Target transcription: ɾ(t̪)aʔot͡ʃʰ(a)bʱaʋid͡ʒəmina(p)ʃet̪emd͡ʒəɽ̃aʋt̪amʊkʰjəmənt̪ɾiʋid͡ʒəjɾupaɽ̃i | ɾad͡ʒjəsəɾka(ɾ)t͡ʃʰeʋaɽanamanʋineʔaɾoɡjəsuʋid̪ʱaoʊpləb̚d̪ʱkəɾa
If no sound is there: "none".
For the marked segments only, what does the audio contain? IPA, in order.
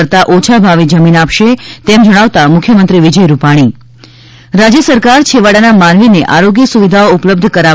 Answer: t̪, a, p, ɾ

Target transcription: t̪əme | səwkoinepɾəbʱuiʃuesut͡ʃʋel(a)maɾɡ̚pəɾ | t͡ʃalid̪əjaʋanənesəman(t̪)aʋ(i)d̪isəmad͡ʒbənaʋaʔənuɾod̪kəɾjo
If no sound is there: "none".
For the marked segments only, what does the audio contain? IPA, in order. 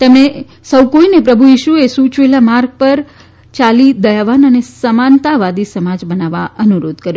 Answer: a, t̪, a

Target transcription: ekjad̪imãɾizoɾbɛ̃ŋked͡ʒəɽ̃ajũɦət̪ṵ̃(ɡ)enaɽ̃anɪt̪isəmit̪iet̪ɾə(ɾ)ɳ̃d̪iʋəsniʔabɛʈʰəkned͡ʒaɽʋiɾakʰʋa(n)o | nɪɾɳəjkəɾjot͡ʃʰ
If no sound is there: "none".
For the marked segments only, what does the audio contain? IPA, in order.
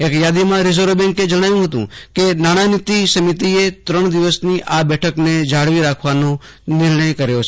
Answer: k, none, n

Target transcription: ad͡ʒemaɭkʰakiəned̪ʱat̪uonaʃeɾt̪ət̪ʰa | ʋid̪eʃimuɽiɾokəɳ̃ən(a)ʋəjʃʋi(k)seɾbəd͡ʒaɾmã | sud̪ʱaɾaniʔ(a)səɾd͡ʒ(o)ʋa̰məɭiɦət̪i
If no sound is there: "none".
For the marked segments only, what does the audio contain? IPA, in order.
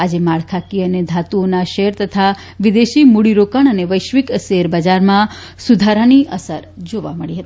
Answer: e, k, ə, o

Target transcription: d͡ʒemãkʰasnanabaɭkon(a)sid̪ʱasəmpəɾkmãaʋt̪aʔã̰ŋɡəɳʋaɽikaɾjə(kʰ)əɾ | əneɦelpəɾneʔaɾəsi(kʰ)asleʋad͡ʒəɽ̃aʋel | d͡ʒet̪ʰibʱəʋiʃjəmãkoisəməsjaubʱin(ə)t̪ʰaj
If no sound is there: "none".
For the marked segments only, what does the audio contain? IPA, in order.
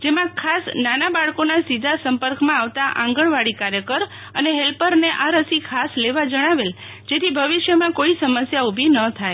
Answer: a, k, kʰ, ə

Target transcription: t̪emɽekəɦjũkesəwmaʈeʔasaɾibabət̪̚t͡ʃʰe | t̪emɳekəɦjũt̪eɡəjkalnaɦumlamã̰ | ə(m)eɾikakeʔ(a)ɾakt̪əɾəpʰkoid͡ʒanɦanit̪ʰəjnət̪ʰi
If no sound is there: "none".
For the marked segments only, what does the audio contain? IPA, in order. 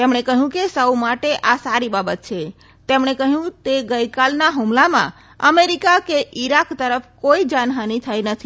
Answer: m, i

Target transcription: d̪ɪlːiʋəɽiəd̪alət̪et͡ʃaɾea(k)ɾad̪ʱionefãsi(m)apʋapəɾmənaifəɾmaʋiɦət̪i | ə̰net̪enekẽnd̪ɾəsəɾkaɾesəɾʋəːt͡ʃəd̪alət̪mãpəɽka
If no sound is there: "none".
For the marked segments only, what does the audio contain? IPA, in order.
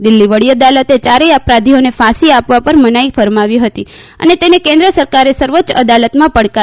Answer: p, none

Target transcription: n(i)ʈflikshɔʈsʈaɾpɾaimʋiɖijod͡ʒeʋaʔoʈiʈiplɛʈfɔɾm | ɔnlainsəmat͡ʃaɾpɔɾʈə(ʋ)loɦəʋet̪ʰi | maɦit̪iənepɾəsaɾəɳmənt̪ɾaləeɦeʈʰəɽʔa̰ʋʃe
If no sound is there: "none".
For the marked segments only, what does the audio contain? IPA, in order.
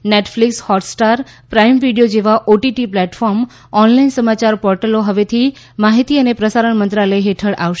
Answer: e, none

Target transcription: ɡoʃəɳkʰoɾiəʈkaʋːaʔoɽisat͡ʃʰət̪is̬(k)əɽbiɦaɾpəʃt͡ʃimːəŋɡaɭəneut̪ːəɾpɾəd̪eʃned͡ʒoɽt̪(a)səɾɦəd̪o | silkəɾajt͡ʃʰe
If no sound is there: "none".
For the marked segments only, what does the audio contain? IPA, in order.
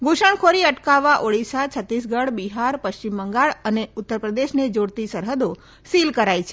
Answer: ɡ, i

